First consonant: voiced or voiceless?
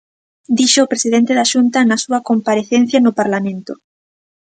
voiced